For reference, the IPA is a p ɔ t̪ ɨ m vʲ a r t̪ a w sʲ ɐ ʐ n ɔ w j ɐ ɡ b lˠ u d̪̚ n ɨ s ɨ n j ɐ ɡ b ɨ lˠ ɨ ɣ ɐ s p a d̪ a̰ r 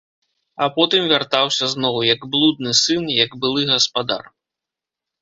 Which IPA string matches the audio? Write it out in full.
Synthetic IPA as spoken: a p ɔ t̪ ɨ m vʲ a r t̪ a w sʲ ɐ z n ɔ w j ɐ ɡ b lˠ u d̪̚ n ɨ s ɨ n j ɐ ɡ b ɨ lˠ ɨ ɣ ɐ s p a d̪ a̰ r